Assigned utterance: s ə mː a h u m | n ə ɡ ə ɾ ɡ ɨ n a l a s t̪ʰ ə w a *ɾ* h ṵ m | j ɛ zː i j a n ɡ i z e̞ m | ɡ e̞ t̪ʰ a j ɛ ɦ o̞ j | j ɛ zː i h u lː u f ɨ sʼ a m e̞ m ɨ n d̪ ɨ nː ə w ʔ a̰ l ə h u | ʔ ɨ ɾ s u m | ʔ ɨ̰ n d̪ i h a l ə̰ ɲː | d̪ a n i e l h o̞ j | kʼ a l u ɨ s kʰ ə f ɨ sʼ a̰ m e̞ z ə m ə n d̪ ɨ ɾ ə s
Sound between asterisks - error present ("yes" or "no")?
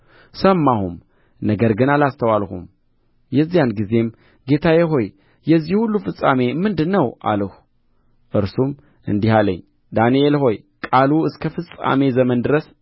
yes